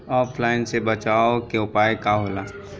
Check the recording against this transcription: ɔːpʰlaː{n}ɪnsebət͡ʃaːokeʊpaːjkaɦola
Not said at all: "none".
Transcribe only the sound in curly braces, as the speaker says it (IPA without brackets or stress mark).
none